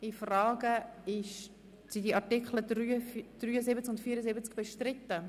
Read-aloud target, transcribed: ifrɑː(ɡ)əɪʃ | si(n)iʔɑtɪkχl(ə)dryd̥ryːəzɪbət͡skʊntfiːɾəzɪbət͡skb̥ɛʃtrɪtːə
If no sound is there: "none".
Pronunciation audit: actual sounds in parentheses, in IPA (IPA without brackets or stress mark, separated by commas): ɡ, d, ə